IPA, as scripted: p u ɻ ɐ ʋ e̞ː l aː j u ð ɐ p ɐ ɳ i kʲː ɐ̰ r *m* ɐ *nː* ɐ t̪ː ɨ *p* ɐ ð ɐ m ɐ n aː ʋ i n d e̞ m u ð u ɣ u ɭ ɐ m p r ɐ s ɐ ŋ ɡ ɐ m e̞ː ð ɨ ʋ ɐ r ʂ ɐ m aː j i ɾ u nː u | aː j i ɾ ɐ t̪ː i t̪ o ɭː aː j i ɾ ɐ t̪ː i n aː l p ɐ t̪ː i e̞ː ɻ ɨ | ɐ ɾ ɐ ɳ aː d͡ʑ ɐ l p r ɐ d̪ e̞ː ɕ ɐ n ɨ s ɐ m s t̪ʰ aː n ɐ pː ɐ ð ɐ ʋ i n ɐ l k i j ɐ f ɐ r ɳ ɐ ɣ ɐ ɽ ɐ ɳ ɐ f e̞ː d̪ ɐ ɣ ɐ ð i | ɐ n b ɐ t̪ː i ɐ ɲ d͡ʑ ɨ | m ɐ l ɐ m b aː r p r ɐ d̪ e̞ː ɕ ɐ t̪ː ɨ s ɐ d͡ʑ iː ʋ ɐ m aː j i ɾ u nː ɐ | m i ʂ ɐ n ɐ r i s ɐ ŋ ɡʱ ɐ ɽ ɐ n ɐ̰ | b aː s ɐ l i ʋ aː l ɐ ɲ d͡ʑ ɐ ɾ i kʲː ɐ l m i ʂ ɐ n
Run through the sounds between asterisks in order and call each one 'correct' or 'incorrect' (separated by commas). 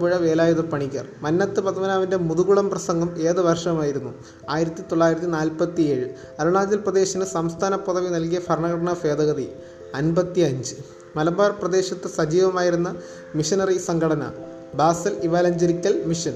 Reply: correct, correct, correct